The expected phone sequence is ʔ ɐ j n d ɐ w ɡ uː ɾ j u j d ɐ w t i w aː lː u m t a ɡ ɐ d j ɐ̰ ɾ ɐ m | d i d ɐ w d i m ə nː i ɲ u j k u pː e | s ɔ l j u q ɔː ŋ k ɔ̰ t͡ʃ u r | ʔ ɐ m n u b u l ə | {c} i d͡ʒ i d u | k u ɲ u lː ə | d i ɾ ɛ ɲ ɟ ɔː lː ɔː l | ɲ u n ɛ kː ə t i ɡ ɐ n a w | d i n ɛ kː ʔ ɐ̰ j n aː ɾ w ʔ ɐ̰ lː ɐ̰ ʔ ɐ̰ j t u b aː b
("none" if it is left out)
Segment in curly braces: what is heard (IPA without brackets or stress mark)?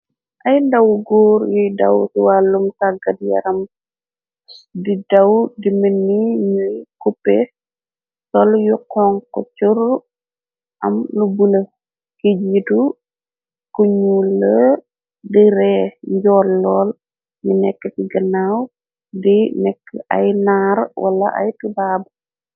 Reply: k